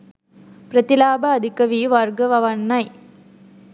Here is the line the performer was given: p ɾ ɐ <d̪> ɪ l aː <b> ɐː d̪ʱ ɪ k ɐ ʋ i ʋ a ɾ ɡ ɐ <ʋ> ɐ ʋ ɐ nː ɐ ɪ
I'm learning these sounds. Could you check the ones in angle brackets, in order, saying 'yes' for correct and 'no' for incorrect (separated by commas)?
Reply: no, yes, yes